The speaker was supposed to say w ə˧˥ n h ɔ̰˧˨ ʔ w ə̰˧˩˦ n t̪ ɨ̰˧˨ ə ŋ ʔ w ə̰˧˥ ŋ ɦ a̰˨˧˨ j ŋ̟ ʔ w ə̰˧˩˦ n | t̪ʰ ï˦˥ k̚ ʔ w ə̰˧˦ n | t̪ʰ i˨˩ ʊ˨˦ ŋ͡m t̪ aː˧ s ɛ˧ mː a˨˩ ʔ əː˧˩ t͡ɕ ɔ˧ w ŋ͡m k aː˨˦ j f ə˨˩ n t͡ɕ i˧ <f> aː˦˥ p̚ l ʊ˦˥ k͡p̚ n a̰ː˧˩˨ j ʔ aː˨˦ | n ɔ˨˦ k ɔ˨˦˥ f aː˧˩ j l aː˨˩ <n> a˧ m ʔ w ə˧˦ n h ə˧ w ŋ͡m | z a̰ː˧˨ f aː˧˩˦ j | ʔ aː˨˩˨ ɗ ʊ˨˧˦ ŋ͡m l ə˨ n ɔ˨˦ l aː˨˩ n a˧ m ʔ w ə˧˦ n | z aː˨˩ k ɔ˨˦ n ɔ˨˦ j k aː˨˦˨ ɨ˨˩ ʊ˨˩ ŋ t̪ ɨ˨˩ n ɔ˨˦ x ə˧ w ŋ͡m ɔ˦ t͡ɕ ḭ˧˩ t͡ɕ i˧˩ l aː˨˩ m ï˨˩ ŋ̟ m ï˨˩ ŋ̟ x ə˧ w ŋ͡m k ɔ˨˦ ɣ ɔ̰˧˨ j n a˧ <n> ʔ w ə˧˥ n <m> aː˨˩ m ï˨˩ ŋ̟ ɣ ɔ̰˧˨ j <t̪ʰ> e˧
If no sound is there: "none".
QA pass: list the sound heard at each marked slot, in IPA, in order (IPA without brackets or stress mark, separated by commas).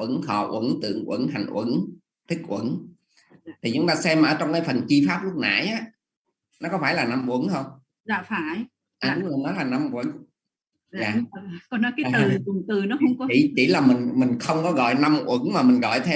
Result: f, n, m, m, t̪ʰ